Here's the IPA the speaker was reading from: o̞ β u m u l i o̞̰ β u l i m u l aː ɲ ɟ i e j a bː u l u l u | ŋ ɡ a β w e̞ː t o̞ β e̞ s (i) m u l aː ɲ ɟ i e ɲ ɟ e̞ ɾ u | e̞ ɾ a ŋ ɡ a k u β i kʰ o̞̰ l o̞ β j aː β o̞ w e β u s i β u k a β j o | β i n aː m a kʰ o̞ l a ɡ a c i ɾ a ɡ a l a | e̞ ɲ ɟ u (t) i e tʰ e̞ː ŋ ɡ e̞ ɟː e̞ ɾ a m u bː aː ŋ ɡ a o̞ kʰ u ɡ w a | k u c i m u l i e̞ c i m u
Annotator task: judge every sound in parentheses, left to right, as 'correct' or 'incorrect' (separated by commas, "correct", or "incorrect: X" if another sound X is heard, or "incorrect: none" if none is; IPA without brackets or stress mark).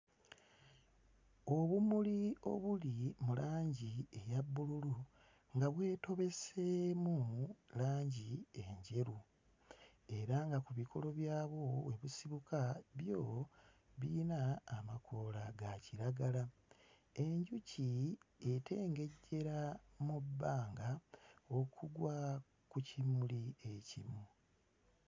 incorrect: e, incorrect: c